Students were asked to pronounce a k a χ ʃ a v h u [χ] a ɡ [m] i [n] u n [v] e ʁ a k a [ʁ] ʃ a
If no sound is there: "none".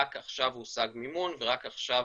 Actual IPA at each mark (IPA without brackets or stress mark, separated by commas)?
s, m, m, v, χ